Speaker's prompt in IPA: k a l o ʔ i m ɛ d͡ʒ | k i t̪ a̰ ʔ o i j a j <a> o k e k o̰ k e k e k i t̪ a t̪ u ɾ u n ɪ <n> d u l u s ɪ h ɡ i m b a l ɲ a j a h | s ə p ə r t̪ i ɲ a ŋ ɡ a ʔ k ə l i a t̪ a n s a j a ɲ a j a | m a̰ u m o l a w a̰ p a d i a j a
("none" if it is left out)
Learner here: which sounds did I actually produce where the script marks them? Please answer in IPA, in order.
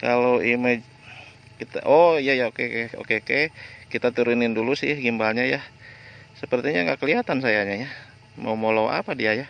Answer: a, n

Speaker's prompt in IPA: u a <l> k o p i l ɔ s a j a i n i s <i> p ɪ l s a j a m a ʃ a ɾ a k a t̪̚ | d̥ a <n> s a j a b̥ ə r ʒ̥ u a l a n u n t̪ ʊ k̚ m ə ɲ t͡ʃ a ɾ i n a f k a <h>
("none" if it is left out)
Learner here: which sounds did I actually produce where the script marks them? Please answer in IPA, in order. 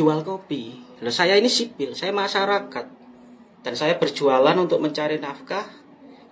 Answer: l, i, n, h

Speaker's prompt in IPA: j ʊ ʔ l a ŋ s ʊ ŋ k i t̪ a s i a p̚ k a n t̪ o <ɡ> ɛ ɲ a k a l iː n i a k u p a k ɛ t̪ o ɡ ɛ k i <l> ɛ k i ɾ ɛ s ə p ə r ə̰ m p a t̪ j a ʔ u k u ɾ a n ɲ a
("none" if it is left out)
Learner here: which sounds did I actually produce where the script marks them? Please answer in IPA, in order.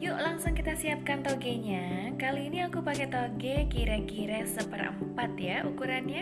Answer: ɡ, ɾ

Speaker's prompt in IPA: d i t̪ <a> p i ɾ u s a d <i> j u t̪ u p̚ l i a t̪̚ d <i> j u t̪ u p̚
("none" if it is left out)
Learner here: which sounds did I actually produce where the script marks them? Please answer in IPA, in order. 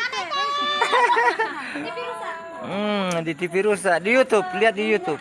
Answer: i, i, i

